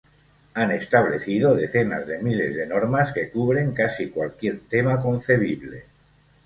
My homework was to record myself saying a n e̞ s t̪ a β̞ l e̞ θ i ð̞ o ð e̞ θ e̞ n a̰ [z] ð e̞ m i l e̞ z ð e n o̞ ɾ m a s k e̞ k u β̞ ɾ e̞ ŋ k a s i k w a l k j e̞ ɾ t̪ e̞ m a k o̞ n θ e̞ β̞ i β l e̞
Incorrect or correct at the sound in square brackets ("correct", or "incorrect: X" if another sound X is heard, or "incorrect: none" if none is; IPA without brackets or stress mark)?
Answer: correct